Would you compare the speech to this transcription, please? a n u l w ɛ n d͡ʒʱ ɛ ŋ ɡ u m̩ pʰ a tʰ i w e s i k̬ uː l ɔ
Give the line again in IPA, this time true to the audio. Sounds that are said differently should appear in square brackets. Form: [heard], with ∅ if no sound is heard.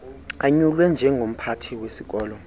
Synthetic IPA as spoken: a [ɲ] u l w ɛ n d͡ʒʱ ɛ ŋ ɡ [o] m̩ pʰ a tʰ i w e s i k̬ [ɔː] l ɔ